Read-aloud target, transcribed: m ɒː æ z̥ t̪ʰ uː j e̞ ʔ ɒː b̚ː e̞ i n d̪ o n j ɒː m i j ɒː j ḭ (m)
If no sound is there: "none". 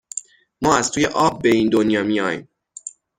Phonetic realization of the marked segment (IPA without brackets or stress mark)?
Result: m